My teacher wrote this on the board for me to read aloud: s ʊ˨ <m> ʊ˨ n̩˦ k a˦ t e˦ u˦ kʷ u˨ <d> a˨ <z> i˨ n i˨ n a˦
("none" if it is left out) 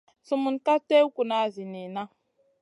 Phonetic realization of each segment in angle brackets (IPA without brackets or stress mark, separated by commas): m, n, z